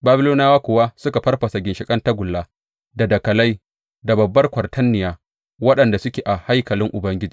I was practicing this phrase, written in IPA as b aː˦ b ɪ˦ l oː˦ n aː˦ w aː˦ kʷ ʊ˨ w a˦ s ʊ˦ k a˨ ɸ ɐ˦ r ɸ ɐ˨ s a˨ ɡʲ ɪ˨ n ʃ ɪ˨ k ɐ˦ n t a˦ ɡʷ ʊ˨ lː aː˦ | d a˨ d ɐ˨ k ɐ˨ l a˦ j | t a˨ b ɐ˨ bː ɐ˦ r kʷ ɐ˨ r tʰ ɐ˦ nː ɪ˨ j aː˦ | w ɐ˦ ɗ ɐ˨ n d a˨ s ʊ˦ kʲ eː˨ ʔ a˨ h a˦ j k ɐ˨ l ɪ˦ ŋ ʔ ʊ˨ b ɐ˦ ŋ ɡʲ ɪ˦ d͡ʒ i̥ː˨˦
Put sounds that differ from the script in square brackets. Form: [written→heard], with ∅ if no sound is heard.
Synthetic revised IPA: b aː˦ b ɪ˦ l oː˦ n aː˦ w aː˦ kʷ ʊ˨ w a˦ s ʊ˦ k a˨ ɸ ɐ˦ r ɸ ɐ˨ s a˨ ɡʲ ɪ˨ n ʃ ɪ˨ [k→kʼ] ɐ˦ n t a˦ ɡʷ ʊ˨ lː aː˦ | d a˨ d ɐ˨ k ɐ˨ l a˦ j | [t→d] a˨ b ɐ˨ bː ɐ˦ r kʷ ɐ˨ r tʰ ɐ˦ nː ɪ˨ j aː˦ | w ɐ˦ ɗ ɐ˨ n d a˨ s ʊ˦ kʲ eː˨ ʔ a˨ h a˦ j k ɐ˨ l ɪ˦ ŋ ʔ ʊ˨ b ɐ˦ ŋ ɡʲ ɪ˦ d͡ʒ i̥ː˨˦